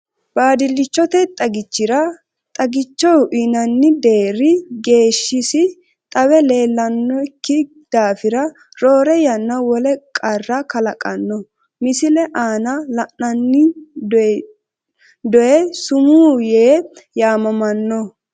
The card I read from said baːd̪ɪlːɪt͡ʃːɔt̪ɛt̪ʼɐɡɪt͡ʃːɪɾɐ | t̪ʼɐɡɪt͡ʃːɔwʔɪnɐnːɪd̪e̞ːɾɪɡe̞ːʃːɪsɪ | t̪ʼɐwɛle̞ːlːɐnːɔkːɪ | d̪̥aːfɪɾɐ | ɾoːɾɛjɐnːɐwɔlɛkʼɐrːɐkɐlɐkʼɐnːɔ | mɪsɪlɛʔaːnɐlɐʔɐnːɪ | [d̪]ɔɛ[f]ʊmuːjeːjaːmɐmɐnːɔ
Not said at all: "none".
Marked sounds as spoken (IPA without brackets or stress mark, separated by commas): d̪, s